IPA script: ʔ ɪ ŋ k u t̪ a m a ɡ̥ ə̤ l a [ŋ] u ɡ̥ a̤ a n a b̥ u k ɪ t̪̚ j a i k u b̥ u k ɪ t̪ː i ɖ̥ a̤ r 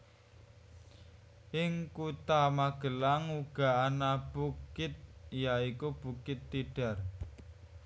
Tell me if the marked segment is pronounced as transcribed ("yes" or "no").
yes